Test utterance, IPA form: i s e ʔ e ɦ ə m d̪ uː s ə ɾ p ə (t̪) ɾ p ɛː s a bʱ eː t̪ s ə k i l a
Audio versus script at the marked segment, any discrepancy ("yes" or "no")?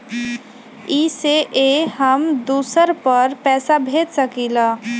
yes